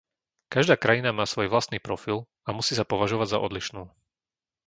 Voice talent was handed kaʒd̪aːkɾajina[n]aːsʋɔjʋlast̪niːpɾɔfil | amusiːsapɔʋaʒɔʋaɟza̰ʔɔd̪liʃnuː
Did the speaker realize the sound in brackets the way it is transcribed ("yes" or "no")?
no